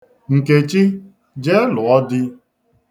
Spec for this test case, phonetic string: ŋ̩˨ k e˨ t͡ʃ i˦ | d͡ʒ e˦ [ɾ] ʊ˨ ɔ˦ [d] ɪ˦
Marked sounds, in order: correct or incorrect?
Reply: incorrect: l, correct

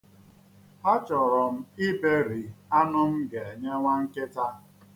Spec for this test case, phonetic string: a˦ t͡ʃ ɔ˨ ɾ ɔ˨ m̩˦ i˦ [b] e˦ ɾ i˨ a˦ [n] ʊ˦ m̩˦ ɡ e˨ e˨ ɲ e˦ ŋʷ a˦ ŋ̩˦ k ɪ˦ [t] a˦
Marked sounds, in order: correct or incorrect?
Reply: correct, correct, correct

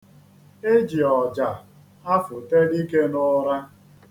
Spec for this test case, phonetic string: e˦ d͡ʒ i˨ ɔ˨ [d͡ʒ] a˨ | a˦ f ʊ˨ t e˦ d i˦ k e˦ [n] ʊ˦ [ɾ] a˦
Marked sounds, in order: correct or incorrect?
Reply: correct, correct, correct

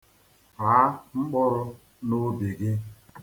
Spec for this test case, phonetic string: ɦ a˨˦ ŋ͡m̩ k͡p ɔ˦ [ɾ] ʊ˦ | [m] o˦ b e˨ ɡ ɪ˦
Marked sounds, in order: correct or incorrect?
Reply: correct, incorrect: n

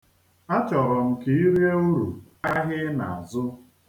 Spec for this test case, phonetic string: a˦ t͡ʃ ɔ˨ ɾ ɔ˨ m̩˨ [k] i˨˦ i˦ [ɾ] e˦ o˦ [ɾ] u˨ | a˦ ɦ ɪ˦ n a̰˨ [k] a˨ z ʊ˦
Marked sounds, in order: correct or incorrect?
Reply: correct, correct, correct, incorrect: none

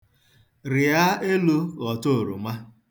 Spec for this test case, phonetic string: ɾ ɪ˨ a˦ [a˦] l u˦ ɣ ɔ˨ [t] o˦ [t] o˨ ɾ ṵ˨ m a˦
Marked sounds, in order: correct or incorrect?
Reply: incorrect: e˦, correct, incorrect: none

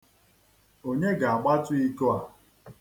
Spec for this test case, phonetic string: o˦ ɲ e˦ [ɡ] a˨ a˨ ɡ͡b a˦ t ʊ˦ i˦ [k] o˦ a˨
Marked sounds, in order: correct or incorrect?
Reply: correct, correct

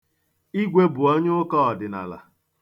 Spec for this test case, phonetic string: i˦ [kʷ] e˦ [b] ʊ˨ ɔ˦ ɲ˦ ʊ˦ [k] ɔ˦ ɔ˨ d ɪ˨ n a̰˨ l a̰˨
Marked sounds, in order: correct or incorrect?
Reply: incorrect: ɡʷ, correct, correct

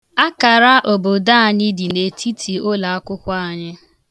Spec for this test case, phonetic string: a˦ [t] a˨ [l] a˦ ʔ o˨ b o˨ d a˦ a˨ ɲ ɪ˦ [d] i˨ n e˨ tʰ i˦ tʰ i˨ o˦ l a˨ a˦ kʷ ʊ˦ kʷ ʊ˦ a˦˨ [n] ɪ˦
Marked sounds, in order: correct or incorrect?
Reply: incorrect: k, incorrect: ɾ, correct, incorrect: ɲ

